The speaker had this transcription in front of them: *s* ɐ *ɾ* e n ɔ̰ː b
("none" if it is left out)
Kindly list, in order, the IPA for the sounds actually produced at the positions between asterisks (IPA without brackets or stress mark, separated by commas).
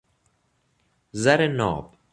z, ɾ